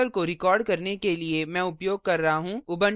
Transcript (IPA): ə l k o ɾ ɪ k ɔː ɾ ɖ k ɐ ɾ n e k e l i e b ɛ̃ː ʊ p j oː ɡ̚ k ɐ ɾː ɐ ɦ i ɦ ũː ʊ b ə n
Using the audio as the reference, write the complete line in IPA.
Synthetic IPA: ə l k o ɾ ɪ k ɔː ɾ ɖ k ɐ ɾ n e k e l i e m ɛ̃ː ʊ p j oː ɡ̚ k ɐ ɾː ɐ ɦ a ɦ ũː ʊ b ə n